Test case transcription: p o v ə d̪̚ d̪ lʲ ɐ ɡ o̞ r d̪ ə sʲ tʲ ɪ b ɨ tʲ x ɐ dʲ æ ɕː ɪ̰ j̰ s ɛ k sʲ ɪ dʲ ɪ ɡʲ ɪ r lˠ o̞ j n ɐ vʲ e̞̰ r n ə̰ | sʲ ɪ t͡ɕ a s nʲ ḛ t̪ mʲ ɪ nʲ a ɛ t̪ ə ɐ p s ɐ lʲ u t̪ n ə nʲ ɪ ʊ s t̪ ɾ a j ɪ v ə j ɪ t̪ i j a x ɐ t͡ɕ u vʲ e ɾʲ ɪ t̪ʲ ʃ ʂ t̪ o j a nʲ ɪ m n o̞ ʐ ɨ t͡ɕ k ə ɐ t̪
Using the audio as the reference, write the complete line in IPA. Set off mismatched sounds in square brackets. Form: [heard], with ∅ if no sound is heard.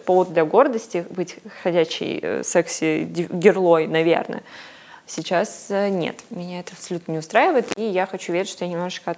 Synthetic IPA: p o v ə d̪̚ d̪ lʲ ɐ ɡ o̞ r d̪ ə sʲ tʲ ɪ b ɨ tʲ x ɐ dʲ æ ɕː ɪ̰ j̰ s ɛ k sʲ ɪ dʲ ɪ ɡʲ ɪ r lˠ o̞ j n ɐ vʲ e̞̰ r n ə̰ | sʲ ɪ t͡ɕ a s nʲ ḛ t̪ mʲ ɪ nʲ a ɛ t̪ ə ɐ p s ɐ lʲ u t̪ n ə nʲ ɪ ʊ s t̪ ɾ a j ɪ v ə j ɪ t̪ i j a x ɐ t͡ɕ u vʲ e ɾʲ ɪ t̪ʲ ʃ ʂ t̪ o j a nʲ ɪ m n o̞ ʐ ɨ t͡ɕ k ə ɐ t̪